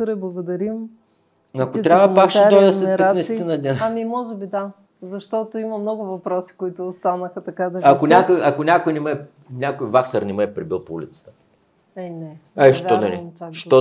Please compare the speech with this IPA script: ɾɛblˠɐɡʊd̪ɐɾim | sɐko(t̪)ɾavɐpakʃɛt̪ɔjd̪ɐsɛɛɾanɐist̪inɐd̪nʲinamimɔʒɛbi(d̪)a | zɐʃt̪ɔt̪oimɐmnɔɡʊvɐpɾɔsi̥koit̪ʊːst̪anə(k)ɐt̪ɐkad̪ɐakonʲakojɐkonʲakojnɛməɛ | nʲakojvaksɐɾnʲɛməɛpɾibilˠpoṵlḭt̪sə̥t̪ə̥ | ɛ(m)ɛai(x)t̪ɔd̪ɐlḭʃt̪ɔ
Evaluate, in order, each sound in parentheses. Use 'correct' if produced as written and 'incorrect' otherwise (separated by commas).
correct, correct, incorrect, incorrect, incorrect